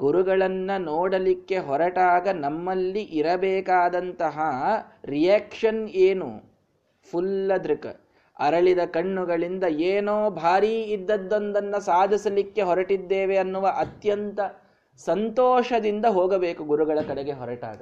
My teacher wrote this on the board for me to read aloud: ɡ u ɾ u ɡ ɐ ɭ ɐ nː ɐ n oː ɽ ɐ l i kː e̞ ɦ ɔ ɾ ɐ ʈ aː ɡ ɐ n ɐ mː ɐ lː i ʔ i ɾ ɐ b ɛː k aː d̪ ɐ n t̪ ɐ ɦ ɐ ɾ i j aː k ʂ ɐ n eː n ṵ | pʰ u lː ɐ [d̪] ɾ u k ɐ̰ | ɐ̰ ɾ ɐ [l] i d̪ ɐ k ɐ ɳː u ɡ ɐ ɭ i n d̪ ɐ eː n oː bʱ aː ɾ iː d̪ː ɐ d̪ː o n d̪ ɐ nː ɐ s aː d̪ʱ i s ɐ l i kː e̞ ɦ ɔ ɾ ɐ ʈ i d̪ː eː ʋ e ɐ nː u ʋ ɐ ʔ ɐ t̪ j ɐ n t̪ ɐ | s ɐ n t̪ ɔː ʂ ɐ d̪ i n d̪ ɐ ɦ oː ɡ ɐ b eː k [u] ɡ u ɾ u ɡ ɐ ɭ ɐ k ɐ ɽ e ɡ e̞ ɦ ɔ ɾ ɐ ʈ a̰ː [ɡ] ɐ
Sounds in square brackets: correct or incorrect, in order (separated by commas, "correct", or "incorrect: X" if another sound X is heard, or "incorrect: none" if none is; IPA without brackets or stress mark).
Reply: correct, incorrect: ɭ, correct, correct